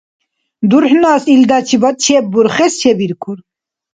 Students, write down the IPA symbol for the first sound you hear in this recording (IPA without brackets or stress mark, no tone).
d̪